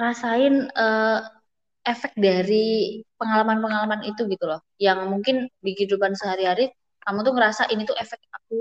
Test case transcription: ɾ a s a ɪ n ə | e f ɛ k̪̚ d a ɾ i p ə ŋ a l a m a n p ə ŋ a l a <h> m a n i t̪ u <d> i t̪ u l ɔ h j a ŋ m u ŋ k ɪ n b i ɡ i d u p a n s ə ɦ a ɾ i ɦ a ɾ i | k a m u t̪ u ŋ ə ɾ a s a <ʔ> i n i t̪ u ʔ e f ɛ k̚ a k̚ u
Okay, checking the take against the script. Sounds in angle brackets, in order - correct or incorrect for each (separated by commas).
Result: incorrect, incorrect, correct